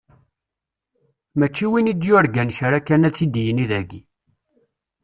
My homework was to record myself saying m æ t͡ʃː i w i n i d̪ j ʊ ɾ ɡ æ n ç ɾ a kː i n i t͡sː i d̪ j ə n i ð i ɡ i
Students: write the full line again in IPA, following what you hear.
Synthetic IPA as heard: m æ t͡ʃː i w i n i d̪ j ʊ ɾ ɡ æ n ç ɾ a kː æ n æ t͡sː i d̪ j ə n i ð æ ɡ i